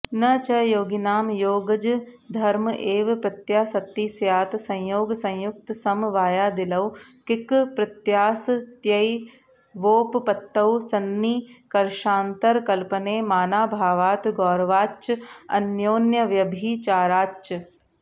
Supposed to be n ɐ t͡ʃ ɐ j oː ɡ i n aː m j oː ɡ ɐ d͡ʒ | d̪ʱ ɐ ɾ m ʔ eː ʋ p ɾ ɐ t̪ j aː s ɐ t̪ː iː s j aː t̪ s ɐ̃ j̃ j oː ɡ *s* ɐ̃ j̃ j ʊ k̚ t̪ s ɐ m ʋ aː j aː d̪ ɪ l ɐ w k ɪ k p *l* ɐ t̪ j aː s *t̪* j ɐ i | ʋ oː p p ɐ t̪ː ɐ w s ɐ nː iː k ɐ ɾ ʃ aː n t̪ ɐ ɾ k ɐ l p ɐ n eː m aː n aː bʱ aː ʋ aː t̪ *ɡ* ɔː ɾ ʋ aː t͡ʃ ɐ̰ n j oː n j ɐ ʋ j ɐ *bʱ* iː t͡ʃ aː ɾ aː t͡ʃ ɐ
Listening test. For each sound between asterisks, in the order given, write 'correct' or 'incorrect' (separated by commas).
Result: correct, incorrect, correct, correct, correct